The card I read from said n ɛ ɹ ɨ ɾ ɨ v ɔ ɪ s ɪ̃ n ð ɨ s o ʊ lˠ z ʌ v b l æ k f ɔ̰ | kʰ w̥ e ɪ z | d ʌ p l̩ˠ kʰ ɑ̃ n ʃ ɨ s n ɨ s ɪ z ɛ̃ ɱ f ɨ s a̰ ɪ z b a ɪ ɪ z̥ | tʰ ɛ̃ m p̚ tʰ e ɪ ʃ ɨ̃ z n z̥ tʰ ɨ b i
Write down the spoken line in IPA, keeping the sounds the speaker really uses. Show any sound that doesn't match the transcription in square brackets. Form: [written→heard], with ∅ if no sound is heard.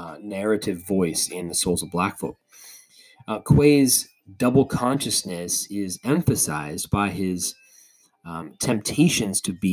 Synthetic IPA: n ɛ ɹ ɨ ɾ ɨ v ɔ ɪ s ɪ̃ n ð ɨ s o ʊ lˠ z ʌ v b l æ k f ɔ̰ | kʰ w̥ e ɪ z | d ʌ [p→b] l̩ˠ kʰ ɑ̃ n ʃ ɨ s n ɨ s ɪ z ɛ̃ ɱ f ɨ s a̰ ɪ z b a ɪ ɪ z̥ | tʰ ɛ̃ m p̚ tʰ e ɪ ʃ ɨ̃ [z→∅] n z̥ tʰ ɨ b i